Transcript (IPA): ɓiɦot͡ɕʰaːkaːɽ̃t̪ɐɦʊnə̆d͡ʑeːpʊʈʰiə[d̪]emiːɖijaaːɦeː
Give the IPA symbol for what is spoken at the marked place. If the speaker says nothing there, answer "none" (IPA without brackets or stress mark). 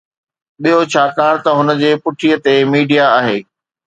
t̪